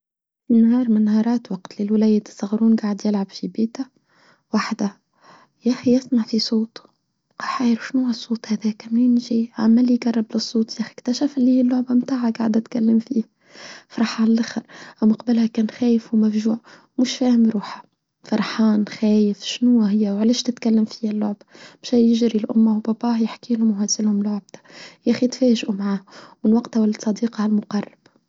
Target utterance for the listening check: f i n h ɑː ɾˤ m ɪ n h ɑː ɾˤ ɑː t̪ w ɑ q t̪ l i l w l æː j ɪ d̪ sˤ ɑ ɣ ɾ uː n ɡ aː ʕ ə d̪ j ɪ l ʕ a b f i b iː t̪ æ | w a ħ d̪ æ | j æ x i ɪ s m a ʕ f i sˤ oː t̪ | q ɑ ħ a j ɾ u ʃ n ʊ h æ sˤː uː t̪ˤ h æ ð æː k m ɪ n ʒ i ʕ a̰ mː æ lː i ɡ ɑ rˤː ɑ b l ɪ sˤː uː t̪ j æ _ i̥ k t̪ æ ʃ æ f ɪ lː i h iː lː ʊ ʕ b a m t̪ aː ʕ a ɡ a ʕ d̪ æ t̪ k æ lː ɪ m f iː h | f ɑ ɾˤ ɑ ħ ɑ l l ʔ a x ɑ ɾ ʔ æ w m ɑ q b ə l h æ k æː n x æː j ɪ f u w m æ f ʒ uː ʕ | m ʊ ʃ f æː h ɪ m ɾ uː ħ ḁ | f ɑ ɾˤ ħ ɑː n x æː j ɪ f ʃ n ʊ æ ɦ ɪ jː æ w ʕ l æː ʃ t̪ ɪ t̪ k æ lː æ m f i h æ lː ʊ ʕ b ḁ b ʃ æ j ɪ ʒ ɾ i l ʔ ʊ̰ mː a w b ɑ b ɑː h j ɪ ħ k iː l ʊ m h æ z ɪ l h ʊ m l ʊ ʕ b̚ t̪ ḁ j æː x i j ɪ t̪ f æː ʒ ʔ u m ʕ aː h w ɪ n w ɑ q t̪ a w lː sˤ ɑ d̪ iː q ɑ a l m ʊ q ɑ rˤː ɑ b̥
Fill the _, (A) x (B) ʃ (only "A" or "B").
A